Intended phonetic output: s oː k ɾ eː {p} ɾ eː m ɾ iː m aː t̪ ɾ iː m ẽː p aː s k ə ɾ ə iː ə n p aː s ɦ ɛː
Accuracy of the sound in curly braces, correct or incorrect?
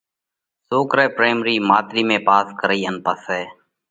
correct